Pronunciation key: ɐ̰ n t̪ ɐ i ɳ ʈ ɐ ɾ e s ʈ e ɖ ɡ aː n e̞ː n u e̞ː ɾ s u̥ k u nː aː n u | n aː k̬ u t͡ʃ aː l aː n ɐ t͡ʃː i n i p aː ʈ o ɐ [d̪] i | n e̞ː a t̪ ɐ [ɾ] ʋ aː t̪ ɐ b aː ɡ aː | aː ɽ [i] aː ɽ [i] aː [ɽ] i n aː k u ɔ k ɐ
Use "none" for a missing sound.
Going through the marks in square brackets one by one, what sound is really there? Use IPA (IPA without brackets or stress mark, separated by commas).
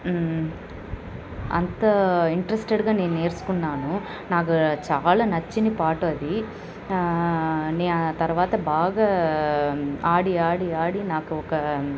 d̪, ɾ, i, i, ɽ